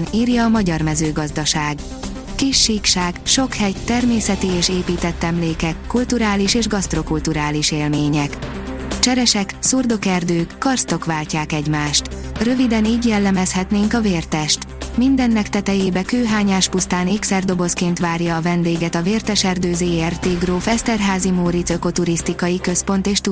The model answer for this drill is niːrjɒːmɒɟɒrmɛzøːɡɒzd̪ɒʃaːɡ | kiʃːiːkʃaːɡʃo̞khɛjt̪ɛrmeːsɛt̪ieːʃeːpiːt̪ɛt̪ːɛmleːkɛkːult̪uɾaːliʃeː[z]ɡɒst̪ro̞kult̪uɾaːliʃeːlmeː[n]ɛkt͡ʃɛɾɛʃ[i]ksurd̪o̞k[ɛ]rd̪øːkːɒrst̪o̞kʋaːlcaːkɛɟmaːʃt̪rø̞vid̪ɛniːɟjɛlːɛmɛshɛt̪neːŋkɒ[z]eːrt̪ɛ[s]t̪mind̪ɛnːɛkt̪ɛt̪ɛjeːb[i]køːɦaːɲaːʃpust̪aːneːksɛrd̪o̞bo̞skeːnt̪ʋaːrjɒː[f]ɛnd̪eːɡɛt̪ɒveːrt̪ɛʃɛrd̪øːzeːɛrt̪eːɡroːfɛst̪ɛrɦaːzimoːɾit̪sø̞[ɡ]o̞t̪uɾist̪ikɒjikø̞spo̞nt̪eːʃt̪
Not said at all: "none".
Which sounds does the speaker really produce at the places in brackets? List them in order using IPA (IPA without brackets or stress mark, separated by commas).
ʒ, ɲ, ɛ, ɛ, v, ʃ, ɛ, v, k